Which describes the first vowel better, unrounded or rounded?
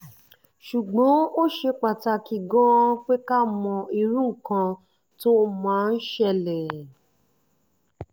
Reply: rounded